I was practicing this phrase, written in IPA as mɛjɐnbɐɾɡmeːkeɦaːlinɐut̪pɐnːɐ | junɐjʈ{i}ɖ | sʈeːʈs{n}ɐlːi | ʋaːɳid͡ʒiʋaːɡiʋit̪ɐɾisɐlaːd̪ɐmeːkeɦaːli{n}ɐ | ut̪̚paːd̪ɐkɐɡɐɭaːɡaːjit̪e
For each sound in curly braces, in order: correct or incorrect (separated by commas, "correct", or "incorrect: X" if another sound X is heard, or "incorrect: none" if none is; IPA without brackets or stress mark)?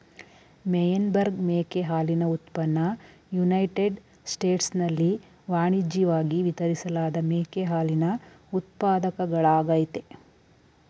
incorrect: e, correct, correct